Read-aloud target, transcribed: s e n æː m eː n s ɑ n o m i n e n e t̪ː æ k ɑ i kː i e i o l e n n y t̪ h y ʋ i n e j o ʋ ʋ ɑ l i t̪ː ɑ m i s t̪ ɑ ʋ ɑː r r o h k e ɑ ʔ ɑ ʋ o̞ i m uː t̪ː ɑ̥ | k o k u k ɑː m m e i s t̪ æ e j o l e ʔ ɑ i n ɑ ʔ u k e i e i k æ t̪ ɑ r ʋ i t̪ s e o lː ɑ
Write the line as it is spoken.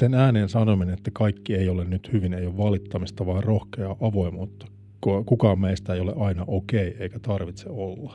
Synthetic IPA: s e n æː n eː n s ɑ n o m i n e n e t̪ː æ k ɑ i kː i e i o l e n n y t̪ h y ʋ i n e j o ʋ ʋ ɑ l i t̪ː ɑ m i s t̪ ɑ ʋ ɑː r r o h k e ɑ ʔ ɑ ʋ o̞ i m uː t̪ː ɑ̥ | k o k u k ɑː m m e i s t̪ æ e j o l e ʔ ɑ i n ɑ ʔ o k e i e i k æ t̪ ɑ r ʋ i t̪ s e o lː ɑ